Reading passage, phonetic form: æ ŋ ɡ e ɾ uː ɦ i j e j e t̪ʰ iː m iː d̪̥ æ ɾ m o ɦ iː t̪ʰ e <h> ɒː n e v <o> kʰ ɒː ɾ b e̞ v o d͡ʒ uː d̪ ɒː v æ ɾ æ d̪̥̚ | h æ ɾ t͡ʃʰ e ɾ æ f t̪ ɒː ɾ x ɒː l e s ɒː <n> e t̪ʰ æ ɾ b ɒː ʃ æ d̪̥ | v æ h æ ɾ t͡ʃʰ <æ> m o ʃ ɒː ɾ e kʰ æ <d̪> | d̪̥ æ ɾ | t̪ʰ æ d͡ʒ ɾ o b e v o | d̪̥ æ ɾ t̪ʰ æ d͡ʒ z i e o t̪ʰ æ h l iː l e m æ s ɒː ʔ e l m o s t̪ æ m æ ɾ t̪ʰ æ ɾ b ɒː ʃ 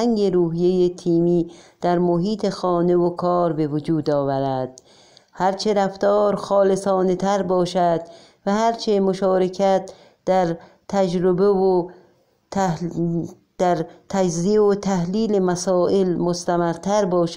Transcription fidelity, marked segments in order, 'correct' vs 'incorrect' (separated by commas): incorrect, correct, correct, incorrect, incorrect